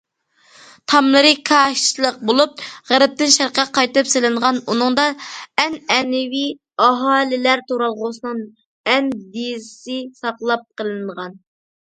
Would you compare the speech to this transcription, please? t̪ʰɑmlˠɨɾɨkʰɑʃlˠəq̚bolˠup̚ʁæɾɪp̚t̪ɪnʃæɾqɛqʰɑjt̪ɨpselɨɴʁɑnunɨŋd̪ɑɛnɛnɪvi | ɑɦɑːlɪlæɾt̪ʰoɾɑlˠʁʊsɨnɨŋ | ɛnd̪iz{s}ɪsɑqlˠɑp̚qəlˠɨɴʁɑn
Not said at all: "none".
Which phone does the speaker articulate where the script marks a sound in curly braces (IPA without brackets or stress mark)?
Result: s